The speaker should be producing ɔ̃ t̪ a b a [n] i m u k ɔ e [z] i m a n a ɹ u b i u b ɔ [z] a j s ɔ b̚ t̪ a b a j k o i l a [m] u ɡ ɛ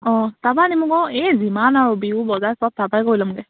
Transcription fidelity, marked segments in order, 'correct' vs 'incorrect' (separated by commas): correct, correct, correct, correct